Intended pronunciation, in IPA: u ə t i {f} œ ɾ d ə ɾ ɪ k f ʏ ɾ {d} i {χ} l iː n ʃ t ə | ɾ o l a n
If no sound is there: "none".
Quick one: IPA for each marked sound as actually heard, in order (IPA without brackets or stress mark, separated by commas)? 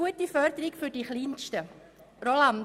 f, d, χ